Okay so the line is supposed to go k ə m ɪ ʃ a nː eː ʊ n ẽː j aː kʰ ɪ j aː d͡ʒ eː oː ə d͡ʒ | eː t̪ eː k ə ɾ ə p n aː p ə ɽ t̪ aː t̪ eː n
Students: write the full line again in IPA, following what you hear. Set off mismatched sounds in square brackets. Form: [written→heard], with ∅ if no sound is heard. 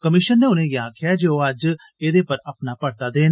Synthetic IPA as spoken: k ə m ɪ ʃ [a→ə] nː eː ʊ n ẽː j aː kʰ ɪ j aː d͡ʒ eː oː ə d͡ʒ | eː [t̪→d̪] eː [k→p] ə ɾ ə p n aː p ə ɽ t̪ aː [t̪→d̪] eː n